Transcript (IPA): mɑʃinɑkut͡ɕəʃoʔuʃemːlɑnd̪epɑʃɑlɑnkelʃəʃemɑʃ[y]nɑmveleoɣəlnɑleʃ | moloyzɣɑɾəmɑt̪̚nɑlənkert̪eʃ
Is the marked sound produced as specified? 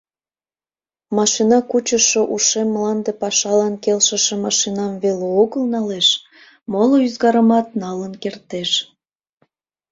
no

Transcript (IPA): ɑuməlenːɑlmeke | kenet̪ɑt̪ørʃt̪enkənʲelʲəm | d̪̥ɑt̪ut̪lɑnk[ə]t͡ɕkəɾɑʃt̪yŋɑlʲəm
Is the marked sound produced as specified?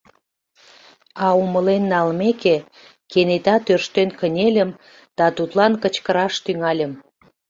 yes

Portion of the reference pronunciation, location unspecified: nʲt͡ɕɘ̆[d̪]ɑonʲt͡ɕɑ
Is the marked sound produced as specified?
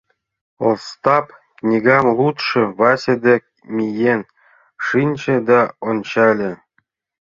yes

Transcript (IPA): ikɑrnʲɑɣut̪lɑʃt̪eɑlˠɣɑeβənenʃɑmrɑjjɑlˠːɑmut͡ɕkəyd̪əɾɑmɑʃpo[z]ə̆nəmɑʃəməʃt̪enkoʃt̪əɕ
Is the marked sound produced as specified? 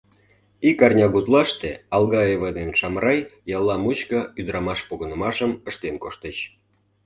no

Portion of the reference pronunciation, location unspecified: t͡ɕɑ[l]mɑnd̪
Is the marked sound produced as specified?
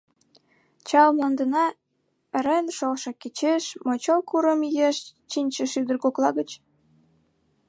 yes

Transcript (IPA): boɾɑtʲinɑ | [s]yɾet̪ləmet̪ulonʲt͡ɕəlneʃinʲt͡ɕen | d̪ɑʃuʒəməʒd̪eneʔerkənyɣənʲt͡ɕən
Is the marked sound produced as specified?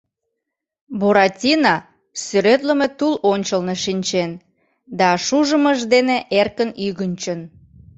yes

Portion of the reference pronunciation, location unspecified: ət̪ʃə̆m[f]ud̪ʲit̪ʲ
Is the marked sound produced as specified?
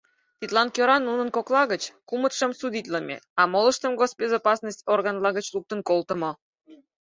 no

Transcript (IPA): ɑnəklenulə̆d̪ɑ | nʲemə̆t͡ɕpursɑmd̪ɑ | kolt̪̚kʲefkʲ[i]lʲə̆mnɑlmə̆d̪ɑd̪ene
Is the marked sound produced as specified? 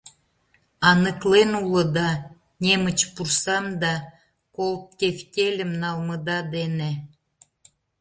no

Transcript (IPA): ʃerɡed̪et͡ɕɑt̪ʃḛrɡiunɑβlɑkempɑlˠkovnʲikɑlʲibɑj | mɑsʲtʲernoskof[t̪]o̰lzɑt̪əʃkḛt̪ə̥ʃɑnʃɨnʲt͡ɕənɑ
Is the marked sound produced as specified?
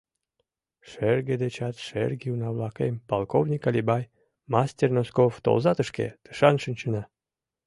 yes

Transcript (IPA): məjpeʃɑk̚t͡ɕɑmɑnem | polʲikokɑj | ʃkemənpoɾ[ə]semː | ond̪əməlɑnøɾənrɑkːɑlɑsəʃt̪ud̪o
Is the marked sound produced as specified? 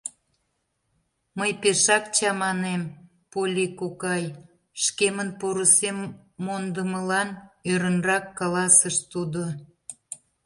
yes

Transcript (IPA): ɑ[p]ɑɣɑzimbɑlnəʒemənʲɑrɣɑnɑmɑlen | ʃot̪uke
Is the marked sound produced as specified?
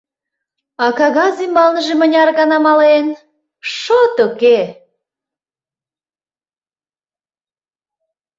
no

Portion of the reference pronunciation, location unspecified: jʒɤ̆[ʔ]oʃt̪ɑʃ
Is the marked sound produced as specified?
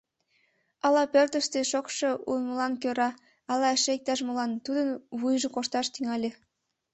no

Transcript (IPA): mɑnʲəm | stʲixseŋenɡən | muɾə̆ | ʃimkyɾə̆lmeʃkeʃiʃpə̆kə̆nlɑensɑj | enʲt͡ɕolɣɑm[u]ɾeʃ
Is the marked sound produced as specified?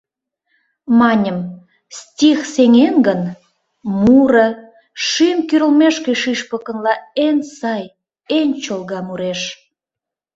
yes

